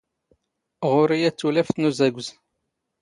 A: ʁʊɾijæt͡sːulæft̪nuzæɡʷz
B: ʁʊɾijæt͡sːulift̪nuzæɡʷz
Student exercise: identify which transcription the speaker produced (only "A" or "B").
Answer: A